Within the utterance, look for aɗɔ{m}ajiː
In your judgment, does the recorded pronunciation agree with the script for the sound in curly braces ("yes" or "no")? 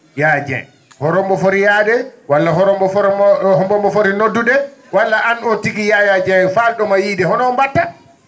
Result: yes